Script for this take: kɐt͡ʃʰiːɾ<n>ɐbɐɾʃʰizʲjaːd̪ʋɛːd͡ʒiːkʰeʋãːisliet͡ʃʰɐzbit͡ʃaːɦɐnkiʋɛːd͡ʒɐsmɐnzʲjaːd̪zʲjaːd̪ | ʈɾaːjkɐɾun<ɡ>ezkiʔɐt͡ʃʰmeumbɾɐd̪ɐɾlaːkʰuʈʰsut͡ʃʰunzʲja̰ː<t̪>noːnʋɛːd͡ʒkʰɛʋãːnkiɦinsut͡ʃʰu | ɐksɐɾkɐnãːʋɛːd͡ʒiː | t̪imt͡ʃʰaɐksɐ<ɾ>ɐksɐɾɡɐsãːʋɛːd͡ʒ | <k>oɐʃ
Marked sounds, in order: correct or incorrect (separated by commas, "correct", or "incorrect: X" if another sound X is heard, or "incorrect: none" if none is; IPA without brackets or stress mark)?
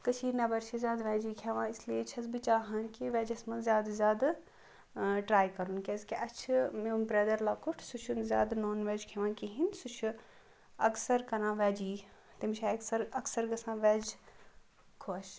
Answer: correct, incorrect: k, incorrect: d̪, correct, incorrect: kʰ